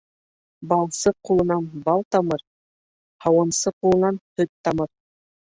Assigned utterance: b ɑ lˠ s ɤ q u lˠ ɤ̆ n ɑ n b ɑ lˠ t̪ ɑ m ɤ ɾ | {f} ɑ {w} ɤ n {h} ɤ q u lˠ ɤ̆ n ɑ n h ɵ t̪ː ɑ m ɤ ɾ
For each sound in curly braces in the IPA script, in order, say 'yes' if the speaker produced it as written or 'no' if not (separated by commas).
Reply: no, yes, no